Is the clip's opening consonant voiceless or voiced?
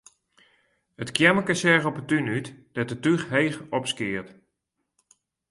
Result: voiceless